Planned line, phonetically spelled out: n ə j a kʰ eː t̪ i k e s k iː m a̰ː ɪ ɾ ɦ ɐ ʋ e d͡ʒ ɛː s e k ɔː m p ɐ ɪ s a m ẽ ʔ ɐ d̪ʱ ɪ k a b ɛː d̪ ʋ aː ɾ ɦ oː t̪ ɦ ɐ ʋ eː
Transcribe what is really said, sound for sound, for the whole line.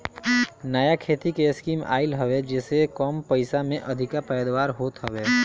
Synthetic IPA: n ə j a kʰ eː t̪ i k e s k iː m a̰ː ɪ l ɦ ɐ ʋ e d͡ʒ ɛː s e k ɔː m p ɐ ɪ s a m ẽ ʔ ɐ d̪ʱ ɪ k a p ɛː d̪ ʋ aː ɾ ɦ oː t̪ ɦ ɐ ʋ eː